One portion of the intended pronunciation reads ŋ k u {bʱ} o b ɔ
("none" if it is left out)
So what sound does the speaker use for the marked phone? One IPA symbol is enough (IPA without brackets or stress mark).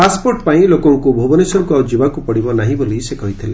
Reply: bʱ